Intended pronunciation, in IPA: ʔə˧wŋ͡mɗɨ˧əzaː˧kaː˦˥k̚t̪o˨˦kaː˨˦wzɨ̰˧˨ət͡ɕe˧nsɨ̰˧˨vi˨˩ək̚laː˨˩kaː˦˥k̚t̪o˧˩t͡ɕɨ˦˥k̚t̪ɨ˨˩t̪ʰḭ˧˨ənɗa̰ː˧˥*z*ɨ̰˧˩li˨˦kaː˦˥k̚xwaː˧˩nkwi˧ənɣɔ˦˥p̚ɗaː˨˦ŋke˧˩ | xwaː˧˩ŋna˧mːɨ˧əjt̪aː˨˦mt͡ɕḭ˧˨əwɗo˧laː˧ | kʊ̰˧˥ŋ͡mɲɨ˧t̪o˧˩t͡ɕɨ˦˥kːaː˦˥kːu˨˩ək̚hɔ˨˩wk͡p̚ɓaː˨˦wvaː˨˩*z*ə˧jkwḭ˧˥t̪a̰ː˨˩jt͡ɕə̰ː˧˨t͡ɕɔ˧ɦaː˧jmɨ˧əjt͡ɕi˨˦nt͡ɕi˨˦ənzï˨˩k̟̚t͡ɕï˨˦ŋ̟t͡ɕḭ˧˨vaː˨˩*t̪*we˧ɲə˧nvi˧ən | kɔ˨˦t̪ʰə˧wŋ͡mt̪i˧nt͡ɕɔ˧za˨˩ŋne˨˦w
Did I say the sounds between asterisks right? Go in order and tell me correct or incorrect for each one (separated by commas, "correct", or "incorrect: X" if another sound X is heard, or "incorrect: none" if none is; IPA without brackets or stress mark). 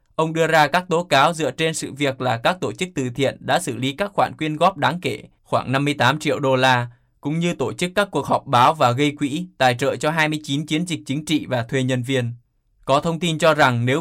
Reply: incorrect: s, incorrect: ɣ, incorrect: t̪ʰ